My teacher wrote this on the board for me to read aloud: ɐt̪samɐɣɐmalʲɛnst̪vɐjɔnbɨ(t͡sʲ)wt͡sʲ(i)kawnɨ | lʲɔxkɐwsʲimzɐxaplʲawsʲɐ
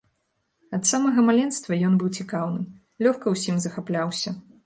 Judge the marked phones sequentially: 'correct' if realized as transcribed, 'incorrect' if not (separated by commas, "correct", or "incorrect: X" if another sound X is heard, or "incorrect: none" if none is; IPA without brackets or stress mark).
incorrect: none, correct